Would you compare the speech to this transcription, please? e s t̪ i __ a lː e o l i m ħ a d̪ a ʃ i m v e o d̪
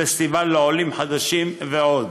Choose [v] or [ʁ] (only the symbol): v